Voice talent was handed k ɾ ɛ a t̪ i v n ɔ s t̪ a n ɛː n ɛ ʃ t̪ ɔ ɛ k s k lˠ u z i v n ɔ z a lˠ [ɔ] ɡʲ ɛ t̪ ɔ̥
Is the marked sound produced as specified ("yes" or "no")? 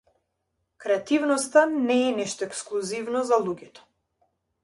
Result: no